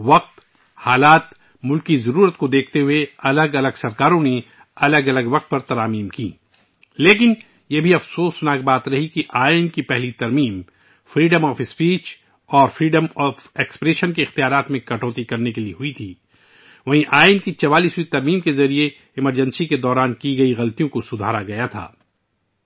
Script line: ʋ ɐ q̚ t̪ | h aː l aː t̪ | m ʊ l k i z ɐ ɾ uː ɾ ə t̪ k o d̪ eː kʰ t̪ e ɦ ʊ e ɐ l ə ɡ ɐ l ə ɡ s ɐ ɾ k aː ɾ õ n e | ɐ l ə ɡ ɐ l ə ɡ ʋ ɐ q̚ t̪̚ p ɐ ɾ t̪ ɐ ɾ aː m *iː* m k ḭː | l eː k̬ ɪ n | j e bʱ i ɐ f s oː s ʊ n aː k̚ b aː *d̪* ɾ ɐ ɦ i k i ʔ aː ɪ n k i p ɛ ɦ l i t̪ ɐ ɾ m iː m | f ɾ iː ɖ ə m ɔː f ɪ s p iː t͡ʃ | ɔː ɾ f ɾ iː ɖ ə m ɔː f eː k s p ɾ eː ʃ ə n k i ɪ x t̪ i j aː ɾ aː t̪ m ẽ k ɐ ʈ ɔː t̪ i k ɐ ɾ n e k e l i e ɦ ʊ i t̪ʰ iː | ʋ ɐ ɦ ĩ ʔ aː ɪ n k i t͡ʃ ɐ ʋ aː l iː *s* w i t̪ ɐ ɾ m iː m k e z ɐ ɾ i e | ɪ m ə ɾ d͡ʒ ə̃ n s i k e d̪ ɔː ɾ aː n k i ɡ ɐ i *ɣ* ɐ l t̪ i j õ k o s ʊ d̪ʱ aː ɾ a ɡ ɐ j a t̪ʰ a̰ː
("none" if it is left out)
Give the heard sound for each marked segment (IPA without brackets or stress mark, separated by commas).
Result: iː, t̪, s, ɣ